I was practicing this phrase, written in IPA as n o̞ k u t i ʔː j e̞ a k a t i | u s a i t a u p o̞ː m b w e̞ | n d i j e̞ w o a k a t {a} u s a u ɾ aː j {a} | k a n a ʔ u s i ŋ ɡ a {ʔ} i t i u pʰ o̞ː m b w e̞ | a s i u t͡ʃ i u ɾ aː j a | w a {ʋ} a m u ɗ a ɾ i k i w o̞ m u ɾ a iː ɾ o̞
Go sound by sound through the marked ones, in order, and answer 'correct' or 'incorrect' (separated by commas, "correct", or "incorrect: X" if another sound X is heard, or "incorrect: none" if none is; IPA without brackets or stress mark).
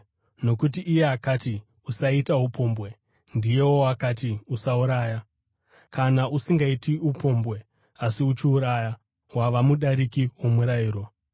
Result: incorrect: i, correct, incorrect: none, correct